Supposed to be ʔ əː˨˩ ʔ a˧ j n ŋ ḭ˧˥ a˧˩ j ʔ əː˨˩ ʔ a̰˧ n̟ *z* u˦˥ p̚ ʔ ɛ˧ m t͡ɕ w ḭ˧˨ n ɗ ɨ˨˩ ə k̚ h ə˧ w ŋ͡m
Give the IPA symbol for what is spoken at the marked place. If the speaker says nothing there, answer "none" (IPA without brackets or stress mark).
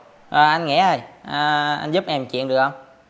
z